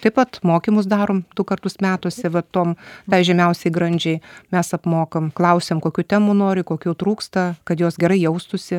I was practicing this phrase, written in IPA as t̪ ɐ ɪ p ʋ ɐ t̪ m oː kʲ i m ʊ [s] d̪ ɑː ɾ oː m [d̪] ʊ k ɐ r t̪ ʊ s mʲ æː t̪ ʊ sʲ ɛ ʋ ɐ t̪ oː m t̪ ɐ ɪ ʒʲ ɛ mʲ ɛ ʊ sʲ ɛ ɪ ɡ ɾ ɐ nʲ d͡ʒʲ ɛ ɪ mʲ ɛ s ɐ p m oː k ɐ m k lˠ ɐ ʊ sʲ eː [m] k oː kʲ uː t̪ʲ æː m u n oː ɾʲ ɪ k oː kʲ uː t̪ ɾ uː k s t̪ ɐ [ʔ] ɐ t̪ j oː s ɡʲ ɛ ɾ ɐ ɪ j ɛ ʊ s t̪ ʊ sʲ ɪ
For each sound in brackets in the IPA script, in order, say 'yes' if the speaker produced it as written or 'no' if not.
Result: yes, yes, yes, no

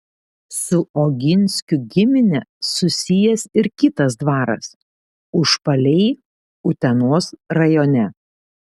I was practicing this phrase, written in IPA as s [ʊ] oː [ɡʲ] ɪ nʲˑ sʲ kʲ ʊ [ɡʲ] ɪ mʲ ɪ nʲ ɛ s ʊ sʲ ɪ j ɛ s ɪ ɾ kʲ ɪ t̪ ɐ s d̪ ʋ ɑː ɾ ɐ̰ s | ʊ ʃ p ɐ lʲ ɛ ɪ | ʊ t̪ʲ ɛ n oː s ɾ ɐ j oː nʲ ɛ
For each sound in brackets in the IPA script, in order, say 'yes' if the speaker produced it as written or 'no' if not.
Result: yes, yes, yes

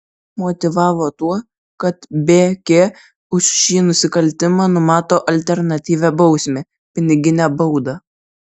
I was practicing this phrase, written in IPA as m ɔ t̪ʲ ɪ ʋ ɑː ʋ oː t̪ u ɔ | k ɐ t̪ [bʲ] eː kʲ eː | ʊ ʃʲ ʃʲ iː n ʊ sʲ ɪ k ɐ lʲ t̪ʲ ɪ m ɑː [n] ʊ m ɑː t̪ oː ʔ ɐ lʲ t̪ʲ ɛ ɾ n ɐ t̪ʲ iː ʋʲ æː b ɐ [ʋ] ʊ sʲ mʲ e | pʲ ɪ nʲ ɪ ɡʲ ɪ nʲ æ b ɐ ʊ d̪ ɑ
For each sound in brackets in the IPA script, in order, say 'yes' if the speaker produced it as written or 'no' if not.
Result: yes, yes, no

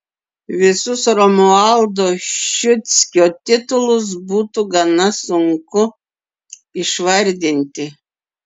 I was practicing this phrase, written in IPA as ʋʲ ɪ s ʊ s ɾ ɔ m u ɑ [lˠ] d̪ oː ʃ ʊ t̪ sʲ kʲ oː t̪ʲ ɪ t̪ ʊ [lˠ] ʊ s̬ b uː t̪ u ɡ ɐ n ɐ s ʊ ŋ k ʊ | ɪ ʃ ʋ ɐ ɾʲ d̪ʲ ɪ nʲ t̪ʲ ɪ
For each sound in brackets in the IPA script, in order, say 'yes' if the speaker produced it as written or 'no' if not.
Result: yes, yes

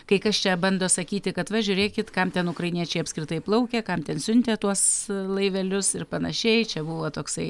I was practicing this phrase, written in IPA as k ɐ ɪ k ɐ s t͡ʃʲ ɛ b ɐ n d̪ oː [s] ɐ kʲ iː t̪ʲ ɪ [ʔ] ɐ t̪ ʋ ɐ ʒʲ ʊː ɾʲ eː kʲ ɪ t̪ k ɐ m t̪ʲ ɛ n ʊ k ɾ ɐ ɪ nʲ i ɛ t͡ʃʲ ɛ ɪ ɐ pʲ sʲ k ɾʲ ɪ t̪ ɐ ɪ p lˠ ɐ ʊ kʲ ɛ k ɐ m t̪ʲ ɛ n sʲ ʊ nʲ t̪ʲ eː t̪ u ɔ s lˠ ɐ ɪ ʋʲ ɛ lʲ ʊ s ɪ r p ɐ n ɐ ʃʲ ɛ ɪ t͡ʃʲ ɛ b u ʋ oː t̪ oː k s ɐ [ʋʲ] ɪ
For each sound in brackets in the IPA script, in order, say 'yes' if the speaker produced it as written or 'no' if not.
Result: yes, no, no

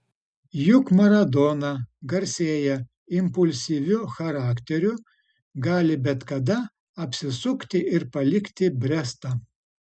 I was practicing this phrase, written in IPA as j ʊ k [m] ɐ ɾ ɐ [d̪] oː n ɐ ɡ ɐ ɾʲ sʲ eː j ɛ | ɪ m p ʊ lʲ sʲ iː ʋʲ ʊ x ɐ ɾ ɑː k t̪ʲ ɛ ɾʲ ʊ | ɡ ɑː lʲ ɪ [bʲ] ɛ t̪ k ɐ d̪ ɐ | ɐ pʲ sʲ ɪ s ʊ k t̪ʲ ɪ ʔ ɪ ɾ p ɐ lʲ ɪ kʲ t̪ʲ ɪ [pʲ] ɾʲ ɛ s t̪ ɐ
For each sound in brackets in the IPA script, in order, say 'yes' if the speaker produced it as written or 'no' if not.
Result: yes, yes, yes, no

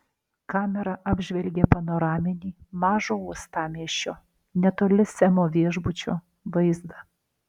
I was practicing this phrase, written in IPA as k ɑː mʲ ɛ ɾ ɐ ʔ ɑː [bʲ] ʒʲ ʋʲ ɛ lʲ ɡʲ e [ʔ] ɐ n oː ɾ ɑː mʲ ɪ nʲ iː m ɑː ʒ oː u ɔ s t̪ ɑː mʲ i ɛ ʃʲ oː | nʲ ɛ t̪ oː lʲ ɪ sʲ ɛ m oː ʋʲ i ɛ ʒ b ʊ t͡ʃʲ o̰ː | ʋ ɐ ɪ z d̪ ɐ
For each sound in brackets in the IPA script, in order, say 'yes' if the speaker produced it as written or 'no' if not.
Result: yes, no

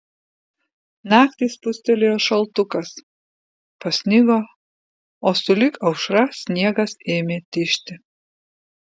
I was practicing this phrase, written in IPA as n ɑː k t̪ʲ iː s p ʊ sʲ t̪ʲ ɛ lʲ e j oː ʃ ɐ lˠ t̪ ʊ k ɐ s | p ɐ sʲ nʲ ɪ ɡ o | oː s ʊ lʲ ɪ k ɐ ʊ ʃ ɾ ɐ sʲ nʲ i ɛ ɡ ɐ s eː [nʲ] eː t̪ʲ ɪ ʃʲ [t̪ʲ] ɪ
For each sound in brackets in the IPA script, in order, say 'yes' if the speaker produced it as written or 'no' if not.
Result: no, yes

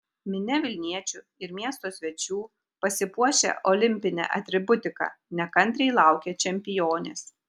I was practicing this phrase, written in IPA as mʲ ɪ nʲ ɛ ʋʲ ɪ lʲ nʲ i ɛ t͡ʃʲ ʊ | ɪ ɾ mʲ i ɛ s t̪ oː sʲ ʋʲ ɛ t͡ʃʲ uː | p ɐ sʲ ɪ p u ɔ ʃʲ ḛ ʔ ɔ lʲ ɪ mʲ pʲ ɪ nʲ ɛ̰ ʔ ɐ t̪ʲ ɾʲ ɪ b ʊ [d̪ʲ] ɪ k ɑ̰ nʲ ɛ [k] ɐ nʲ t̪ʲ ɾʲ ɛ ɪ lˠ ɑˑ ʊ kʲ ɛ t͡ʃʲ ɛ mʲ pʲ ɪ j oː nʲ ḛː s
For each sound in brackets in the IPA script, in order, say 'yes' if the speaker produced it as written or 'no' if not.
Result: no, yes

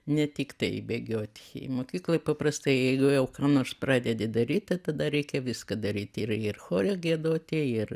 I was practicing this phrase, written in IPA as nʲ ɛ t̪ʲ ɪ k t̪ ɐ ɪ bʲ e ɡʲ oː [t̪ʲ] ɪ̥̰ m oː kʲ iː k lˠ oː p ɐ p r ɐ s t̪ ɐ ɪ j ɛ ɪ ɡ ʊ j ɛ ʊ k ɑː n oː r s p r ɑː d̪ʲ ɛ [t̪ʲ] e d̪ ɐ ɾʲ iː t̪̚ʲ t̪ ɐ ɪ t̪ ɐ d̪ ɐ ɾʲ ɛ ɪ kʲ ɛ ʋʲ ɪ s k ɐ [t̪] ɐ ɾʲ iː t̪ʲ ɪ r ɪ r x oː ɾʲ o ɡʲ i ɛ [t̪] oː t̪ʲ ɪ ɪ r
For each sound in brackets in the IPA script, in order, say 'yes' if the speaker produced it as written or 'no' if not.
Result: yes, no, no, no

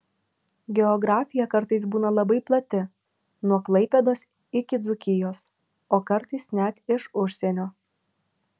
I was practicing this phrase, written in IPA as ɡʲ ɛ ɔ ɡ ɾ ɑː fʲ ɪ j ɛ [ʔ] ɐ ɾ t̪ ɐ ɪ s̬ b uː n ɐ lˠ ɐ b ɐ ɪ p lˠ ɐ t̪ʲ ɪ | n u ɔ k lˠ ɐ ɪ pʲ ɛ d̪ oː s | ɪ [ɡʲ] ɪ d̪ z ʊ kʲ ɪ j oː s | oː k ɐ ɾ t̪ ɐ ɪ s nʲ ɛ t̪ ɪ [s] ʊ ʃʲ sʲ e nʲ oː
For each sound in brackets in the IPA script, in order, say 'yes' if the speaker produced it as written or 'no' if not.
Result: no, no, no

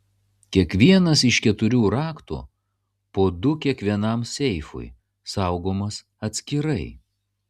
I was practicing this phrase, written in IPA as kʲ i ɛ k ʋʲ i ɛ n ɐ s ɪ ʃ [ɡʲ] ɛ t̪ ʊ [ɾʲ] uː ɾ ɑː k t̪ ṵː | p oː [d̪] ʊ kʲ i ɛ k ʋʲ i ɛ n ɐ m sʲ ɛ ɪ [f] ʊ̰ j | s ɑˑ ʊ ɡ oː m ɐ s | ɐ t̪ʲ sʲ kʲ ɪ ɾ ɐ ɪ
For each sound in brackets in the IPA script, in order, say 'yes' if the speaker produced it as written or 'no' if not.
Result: no, yes, yes, yes

